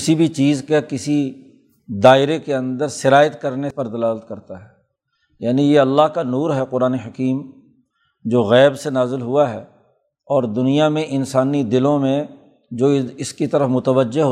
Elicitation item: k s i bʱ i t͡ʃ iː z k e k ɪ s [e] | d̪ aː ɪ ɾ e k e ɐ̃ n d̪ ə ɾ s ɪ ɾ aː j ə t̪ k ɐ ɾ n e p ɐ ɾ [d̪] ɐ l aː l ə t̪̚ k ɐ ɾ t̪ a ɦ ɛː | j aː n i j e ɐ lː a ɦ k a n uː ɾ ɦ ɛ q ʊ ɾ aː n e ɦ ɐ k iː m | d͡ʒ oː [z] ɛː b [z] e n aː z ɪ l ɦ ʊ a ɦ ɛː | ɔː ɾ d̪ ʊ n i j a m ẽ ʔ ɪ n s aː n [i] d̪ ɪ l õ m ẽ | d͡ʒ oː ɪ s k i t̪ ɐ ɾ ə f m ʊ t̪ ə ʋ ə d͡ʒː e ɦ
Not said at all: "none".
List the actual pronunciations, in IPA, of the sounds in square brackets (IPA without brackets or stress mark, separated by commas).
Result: i, d̪, ɣ, s, i